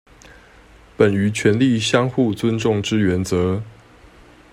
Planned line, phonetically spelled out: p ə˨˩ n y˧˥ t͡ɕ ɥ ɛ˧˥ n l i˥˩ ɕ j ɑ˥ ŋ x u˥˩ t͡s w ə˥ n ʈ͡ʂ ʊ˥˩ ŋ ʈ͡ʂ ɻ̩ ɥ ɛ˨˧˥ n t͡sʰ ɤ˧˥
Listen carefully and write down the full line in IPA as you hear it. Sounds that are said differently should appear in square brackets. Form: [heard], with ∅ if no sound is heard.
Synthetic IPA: p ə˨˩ n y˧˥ [t͡ɕʰ] ɥ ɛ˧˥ n l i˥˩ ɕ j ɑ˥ ŋ x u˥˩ t͡s w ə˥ n ʈ͡ʂ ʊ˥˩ ŋ ʈ͡ʂ ɻ̩ ɥ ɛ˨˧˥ n [t͡s] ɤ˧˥